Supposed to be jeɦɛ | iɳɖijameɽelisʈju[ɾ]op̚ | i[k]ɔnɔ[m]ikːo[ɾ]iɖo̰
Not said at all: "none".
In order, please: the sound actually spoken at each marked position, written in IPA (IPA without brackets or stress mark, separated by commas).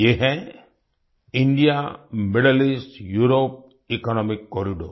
ɾ, k, m, ɾ